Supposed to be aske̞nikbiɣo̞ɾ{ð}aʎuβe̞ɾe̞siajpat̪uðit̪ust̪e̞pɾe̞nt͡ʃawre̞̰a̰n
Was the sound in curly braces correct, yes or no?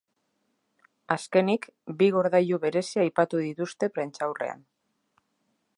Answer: yes